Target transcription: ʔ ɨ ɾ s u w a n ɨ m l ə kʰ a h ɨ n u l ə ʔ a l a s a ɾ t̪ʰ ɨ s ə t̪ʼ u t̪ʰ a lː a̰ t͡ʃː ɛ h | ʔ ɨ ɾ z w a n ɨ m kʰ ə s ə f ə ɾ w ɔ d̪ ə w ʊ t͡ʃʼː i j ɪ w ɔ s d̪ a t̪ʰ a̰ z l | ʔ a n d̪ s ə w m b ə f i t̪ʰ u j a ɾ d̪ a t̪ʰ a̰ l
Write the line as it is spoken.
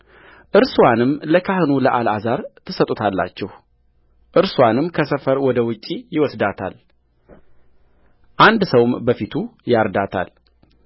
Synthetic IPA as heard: ʔ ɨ ɾ s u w a n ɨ m l ə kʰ a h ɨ n u l ə ʔ a l a z a ɾ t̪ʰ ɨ s ə t̪ʼ u t̪ʰ a lː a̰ t͡ʃː ɛ h | ʔ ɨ ɾ s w a n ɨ m kʰ ə s ə f ə ɾ w ɔ d̪ ə w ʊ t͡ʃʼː i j ɪ w ɔ s d̪ a t̪ʰ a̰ l | ʔ a n d̪ s ə w m b ə f i t̪ʰ u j a ɾ d̪ a t̪ʰ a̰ l